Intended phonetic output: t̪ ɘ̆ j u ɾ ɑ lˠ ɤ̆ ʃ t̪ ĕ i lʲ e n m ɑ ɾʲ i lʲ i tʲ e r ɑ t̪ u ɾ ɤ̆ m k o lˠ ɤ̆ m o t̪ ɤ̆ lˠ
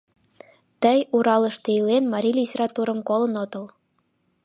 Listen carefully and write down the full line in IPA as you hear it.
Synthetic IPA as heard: t̪ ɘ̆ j u ɾ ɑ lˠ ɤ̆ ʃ t̪ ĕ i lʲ e n m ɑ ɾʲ i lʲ i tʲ e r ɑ t̪ u ɾ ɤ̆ m k o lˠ ɤ̆ n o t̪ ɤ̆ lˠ